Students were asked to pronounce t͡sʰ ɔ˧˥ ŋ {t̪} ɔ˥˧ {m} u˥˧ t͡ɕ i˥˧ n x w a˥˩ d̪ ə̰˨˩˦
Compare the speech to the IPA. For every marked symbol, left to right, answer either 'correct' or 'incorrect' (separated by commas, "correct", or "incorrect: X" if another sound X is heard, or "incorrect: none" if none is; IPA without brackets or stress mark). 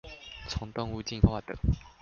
correct, incorrect: ŋ